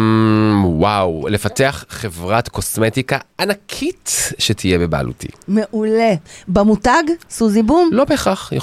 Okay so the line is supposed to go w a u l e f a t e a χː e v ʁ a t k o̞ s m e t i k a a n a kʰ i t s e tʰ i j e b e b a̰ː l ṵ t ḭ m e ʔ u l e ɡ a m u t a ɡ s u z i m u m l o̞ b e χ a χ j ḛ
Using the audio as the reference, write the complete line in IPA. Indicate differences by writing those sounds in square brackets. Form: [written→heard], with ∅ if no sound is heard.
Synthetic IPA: w a [u→w] l e f a t e a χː e v ʁ a t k o̞ s m e t i k a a n a kʰ i t [s→ʃ] e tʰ i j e b e b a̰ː l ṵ t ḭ m e ʔ u l e [ɡ→b] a m u t a ɡ s u z i [m→b] u m l o̞ b e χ a χ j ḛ